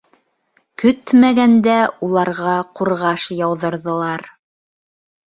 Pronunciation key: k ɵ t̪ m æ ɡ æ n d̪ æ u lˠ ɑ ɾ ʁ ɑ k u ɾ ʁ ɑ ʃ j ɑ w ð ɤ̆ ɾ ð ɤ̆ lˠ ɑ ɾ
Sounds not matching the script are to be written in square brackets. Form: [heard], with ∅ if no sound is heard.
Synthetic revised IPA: k ɵ t̪ m æ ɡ æ n d̪ æ u lˠ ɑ ɾ ʁ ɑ [q] u ɾ ʁ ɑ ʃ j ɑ w ð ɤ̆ ɾ ð ɤ̆ lˠ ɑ ɾ